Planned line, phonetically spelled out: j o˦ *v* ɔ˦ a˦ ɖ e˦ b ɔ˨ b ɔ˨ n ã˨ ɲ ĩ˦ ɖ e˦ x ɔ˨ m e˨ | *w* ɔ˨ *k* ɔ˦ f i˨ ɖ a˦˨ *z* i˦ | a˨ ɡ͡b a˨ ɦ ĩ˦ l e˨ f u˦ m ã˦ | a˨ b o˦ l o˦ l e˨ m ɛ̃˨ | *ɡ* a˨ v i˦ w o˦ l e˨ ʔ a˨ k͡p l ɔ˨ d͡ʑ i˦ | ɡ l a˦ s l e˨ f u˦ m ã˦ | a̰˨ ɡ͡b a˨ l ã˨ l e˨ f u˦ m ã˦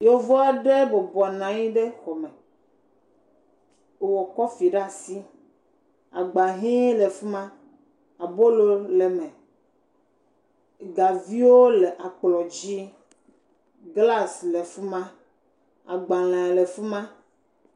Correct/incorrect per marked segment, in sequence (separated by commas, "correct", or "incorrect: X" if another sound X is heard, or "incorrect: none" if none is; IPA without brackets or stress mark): correct, correct, correct, incorrect: s, correct